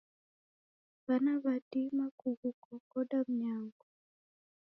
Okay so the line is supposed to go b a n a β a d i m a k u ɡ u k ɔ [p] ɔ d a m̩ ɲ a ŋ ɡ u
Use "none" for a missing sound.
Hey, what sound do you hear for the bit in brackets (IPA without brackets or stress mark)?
k